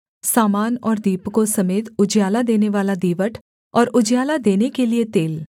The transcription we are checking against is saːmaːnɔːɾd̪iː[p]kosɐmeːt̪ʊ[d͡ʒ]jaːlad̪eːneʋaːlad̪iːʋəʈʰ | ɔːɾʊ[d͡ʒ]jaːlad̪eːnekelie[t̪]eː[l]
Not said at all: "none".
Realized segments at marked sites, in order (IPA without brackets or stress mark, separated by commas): p, d͡ʒ, d͡ʒ, t̪, l